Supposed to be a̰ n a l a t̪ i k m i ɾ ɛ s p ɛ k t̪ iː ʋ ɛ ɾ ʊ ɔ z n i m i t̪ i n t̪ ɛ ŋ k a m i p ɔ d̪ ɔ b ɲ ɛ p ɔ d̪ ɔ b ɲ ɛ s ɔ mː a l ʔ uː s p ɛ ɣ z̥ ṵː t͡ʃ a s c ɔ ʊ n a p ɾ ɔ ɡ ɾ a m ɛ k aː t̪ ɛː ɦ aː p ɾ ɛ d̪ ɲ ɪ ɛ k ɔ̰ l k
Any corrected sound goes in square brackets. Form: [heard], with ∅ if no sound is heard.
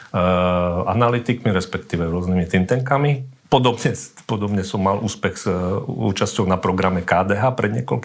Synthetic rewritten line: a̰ n a l [i] t̪ i k m i ɾ ɛ s p ɛ k t̪ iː ʋ ɛ ɾ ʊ ɔ z n i m i t̪ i n t̪ ɛ ŋ k a m i p ɔ d̪ ɔ b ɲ ɛ p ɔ d̪ ɔ b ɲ ɛ s ɔ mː a l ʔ uː s p ɛ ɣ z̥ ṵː t͡ʃ a s c ɔ ʊ n a p ɾ ɔ ɡ ɾ a m ɛ k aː [d̪] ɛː ɦ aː p ɾ ɛ d̪ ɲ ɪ ɛ k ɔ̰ l k